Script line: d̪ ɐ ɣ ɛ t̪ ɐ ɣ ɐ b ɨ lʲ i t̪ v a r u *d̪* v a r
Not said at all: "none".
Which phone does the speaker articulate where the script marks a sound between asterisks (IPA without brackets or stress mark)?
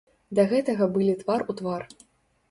t̪